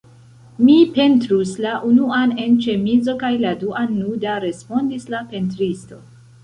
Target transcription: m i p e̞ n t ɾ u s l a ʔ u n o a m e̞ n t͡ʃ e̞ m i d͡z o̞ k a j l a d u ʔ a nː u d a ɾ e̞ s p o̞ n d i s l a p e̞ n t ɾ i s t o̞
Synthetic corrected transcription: m i p e̞ n t ɾ u s l a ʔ u n u a n e̞ n t͡ʃ e̞ m i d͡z o̞ k a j l a d u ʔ a nː u d a ɾ e̞ s p o̞ n d i s l a p e̞ n t ɾ i s t o̞

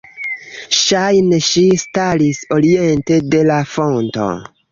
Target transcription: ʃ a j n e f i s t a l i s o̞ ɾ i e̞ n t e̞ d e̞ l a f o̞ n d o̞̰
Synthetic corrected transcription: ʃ a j n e ʃ i s t a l i s o̞ ɾ i e̞ n t e̞ d e̞ l a f o̞ n t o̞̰

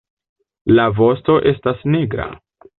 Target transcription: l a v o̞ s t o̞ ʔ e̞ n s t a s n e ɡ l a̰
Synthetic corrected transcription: l a v o̞ s t o̞ ʔ e̞ s t a s n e ɡ ɾ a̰

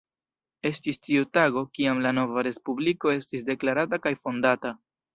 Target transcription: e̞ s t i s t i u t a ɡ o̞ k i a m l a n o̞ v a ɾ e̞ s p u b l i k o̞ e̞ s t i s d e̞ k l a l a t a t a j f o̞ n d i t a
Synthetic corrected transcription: e̞ s t i s t i u t a ɡ o̞ k i a m l a n o̞ v a ɾ e̞ s p u b l i k o̞ e̞ s t i s d e̞ k l a ɾ a t a k a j f o̞ n d a t a

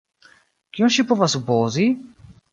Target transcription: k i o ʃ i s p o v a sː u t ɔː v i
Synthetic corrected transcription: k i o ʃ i p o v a s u p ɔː z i

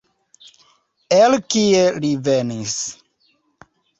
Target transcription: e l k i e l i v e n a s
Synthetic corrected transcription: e l k i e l i v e n i s

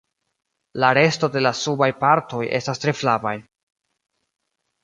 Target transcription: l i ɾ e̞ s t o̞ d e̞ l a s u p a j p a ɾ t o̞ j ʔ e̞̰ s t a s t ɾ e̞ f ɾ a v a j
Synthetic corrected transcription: l a ɾ e̞ s t o̞ d e̞ l a s u b a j p a ɾ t o̞ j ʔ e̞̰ s t a s t ɾ e̞ f l a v a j

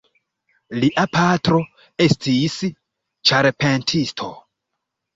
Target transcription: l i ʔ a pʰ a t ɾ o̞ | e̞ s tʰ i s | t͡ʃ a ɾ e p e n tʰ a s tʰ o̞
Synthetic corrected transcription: l i ʔ a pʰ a t ɾ o̞ | e̞ s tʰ i s | t͡ʃ a ɾ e p e n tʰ i s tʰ o̞

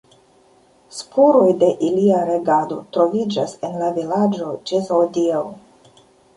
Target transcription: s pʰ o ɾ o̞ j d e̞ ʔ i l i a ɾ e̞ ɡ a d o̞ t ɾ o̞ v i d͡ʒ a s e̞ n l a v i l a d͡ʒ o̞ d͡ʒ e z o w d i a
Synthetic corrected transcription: s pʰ o ɾ o̞ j d e̞ ʔ i l i a ɾ e̞ ɡ a d o̞ t ɾ o̞ v i d͡ʒ a s e̞ n l a v i l a d͡ʒ o̞ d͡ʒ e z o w d i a

